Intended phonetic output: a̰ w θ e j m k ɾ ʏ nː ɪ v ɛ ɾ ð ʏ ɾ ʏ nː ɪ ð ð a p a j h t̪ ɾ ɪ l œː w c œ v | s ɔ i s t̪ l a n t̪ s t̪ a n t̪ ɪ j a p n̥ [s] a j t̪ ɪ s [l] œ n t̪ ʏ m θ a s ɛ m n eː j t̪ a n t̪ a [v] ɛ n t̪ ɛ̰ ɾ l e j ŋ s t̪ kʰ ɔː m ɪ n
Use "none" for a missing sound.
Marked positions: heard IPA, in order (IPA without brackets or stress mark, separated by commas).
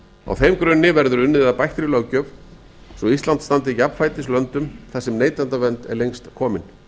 f, l, v